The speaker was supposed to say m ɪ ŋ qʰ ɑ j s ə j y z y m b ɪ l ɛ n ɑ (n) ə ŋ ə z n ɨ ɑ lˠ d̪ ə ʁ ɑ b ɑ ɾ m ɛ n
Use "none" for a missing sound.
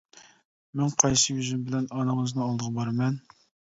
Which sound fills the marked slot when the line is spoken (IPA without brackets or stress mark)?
n